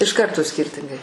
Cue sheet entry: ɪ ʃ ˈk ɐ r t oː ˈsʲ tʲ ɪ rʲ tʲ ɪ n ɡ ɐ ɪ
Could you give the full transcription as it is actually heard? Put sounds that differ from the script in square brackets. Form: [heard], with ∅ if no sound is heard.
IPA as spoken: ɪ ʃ ˈk ɐ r t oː ˈsʲ [kʲ] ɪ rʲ tʲ ɪ [ŋ] ɡ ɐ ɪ